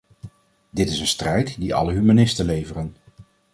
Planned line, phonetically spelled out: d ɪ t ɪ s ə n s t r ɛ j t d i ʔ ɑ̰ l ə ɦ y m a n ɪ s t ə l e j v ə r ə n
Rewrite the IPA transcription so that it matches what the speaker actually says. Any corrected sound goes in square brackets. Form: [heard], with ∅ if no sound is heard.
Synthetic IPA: d ɪ t ɪ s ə n s t r ɛ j t d i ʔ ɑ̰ l ə ɦ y m a n ɪ s t ə l e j v ə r ə n

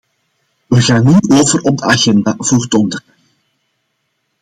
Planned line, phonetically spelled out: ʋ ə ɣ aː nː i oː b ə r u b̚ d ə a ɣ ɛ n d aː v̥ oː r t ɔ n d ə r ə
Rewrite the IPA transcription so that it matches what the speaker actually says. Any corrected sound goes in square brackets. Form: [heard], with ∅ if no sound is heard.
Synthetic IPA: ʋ ə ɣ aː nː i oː [v] ə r [ɔ] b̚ d ə a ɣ ɛ n d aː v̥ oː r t ɔ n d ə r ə

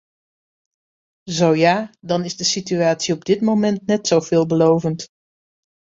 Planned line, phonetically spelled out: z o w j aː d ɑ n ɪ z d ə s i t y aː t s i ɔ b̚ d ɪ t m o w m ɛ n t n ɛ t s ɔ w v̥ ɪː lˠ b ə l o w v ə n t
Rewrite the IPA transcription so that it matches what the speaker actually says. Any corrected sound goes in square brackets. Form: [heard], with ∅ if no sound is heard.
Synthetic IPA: z o w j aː d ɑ n ɪ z d ə s i t y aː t s i ɔ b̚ d ɪ t m o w m ɛ n t n ɛ t s [o] w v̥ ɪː lˠ b ə l o w v ə n t

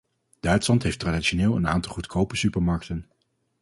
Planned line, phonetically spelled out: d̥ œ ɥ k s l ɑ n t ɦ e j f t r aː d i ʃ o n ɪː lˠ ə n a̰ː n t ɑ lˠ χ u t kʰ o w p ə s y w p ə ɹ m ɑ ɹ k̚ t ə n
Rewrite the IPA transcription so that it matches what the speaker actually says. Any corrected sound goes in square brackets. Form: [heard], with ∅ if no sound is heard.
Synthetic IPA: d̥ œ ɥ [t] s l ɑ n t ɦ e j f t r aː d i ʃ o n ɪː lˠ ə n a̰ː n t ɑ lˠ χ u t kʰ o w p ə s y [∅] p ə ɹ m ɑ ɹ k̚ t ə n

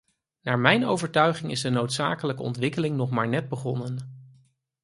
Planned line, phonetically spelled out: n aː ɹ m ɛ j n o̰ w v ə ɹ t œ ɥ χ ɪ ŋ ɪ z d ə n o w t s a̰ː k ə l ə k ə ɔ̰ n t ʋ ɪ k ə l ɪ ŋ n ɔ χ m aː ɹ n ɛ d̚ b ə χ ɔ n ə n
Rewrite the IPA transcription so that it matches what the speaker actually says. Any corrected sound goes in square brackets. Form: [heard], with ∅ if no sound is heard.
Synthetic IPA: n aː ɹ m ɛ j n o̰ w v ə ɹ t œ ɥ χ ɪ ŋ ɪ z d ə n o w t s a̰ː k ə l ə k ə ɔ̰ n t ʋ ɪ k ə l ɪ ŋ n ɔ χ m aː ɹ n ɛ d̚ b ə χ ɔ n ə n

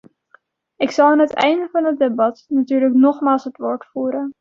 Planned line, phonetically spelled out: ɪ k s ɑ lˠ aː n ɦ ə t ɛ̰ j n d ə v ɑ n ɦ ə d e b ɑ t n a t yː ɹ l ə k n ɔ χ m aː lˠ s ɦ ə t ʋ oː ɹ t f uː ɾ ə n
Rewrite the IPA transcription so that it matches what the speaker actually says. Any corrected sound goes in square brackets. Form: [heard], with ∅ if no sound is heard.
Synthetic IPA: ɪ k s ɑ lˠ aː n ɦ ə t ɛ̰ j n d ə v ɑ n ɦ ə d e b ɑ t n a t yː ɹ l ə k n ɔ χ m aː lˠ s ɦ ə t ʋ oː ɹ t f uː ɾ ə n

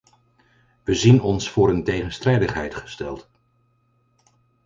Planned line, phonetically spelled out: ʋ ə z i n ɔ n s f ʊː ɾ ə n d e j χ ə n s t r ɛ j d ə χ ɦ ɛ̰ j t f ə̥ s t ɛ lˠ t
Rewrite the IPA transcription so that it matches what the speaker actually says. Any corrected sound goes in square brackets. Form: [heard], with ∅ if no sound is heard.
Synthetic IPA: ʋ ə z i n ɔ n s f ʊː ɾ ə n [t] e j χ ə n s t r ɛ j d ə χ ɦ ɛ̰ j t [χ] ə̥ s t ɛ lˠ t

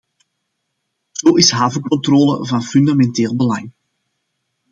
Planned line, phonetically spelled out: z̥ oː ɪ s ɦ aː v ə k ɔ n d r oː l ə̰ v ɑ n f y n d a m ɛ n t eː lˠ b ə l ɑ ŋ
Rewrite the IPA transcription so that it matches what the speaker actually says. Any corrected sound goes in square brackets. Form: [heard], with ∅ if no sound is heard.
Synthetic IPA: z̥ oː ɪ s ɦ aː v ə k ɔ n [t] r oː l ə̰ v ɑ n f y n d a m ɛ n t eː lˠ b ə l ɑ ŋ

